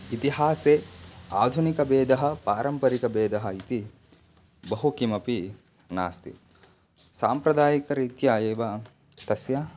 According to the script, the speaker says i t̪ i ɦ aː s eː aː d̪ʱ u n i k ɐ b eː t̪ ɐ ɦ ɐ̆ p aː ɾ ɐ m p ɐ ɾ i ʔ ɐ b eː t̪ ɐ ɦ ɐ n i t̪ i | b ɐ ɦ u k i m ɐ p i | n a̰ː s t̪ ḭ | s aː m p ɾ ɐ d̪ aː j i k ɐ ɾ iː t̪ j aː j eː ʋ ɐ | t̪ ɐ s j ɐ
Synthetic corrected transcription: i t̪ i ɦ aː s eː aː d̪ʱ u n i k ɐ b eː d̪ ɐ ɦ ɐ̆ p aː ɾ ɐ m p ɐ ɾ i k ɐ b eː d̪ ɐ ɦ ɐ i t̪ i | b ɐ ɦ u k i m ɐ p i | n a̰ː s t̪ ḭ | s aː m p ɾ ɐ d̪ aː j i k ɐ ɾ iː t̪ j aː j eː ʋ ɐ | t̪ ɐ s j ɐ